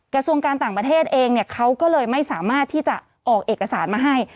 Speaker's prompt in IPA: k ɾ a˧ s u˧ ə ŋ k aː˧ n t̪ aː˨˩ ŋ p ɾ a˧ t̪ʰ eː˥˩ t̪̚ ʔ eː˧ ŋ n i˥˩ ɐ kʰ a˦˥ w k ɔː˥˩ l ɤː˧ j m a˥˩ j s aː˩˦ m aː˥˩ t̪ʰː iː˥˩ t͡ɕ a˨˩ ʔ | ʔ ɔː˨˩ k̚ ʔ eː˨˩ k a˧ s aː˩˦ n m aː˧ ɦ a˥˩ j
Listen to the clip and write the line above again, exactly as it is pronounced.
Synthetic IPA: k ɾ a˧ s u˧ ə ŋ k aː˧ n t̪ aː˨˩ ŋ p ɾ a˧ t̪ʰ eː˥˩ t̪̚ ʔ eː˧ ŋ n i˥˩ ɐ kʰ a˦˥ w k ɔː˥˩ l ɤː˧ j m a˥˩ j s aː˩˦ m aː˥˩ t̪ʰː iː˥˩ t͡ɕ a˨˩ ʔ | ʔ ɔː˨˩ k̚ ʔ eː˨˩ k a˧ s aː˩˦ n m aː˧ ɦ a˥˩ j